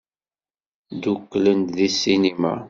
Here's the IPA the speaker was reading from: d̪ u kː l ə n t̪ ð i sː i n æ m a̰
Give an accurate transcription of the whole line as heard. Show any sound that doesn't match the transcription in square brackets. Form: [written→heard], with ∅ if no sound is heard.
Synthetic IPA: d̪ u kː l ə n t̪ ð i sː i n [æ→i] m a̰